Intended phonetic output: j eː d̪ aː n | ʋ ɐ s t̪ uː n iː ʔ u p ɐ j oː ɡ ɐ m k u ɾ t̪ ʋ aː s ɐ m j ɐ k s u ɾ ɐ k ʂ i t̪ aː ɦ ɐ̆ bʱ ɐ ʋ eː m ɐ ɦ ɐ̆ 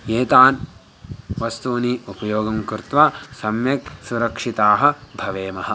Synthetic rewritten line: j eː t̪ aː n | ʋ ɐ s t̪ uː n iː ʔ u p ɐ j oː ɡ ɐ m k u ɾ t̪ ʋ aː s ɐ m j ɐ k s u ɾ ɐ k ʂ i t̪ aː ɦ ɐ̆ bʱ ɐ ʋ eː m ɐ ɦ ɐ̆